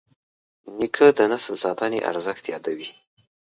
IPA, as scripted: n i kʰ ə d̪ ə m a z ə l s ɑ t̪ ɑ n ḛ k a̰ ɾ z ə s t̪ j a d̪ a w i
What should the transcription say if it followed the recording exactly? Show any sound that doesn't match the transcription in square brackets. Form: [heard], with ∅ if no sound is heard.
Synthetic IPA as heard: n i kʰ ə d̪ ə [n] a [s] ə l s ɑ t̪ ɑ n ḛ [ʔ] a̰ ɾ z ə [x] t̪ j [ɑ] d̪ a w i